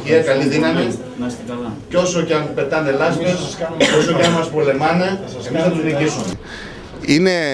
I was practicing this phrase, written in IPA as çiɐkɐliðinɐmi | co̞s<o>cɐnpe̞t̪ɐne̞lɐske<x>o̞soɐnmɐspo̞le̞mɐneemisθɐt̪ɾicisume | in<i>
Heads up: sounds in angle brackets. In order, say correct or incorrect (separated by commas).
correct, incorrect, incorrect